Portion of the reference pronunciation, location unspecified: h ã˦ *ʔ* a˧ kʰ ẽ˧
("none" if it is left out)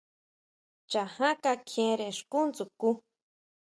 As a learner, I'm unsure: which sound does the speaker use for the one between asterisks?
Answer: k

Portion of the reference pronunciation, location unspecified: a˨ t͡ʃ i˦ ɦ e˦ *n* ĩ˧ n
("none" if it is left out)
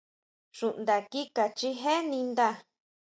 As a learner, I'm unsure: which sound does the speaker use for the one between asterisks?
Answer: n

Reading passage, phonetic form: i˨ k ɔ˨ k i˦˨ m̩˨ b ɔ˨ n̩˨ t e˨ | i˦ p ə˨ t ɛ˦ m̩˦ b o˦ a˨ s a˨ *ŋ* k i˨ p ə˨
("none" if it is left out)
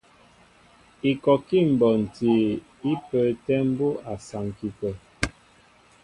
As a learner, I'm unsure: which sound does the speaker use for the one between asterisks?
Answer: ŋ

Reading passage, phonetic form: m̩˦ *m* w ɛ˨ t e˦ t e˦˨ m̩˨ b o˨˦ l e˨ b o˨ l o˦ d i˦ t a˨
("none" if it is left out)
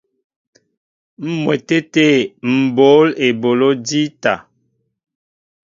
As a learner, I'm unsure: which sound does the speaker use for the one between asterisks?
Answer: m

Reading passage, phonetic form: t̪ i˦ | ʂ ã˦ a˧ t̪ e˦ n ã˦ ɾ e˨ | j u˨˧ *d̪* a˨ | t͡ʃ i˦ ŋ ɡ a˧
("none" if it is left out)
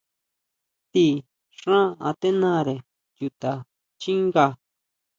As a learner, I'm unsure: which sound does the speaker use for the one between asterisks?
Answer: t̪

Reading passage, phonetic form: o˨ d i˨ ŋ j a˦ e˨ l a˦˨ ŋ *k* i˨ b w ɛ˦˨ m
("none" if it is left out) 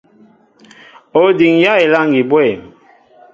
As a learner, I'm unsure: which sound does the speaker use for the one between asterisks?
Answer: ɡ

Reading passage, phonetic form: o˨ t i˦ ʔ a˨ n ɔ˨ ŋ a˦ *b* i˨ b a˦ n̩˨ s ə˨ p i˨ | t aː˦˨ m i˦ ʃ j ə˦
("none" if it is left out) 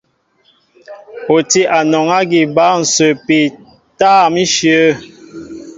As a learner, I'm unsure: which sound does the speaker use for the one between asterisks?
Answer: ɡ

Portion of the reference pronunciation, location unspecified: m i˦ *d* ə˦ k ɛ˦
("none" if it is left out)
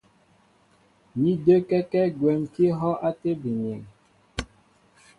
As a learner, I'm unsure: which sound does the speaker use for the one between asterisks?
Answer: d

